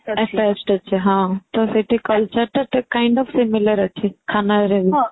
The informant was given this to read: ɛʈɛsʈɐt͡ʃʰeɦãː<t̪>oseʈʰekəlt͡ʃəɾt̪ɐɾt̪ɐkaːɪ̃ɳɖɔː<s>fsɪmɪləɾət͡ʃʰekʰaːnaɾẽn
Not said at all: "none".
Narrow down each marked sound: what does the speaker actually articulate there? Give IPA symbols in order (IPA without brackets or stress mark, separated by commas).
t̪, none